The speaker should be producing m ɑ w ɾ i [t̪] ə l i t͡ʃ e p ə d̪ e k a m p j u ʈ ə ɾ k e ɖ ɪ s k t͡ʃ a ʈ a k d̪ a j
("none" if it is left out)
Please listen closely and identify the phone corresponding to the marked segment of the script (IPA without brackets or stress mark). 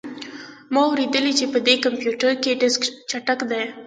d̪